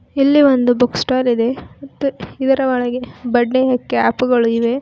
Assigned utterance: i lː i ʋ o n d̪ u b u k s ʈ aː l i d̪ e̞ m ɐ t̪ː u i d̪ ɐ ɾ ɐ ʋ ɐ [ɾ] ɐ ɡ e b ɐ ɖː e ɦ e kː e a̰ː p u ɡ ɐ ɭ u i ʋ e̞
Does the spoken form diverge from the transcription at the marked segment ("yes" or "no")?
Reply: yes